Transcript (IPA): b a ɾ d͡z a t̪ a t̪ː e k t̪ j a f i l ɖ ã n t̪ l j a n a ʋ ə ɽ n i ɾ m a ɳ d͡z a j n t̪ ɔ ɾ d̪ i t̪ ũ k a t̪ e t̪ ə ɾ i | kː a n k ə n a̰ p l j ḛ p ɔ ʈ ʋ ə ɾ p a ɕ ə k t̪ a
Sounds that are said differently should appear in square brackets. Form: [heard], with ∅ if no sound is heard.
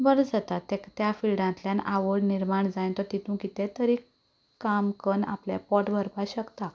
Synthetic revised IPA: b [ə] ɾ d͡z a t̪ a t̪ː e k t̪ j a f i l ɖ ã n t̪ l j a n a ʋ ə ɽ n i ɾ m a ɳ d͡z a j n t̪ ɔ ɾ [t̪] i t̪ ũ k [i] t̪ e t̪ ə ɾ i | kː a [m] k ə n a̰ p l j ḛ p ɔ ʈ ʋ ə ɾ p a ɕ ə k t̪ a